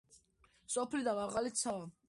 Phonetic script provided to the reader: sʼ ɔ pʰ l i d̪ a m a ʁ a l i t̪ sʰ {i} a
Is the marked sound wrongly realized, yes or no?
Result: yes